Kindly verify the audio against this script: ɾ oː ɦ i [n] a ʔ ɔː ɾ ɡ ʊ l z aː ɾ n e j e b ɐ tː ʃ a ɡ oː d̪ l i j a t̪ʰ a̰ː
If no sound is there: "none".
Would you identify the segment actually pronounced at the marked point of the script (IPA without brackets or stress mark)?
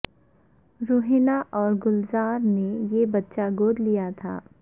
n